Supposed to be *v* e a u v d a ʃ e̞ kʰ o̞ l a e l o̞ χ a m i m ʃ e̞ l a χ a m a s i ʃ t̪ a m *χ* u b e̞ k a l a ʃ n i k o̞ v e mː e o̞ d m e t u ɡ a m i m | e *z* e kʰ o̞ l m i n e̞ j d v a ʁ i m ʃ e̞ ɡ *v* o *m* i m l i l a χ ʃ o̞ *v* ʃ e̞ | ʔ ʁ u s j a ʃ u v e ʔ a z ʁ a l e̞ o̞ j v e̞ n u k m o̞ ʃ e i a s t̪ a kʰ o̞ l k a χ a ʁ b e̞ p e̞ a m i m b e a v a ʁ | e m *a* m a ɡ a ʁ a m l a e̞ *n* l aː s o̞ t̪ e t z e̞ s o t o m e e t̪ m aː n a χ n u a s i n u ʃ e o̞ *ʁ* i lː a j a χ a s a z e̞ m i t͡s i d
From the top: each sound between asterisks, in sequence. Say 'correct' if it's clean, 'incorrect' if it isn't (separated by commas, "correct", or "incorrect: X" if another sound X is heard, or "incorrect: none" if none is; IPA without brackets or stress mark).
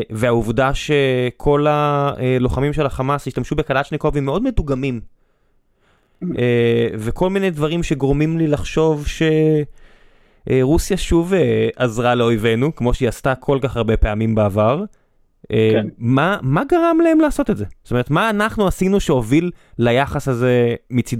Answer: correct, incorrect: ʃ, incorrect: v, incorrect: ʁ, correct, correct, correct, incorrect: m, incorrect: v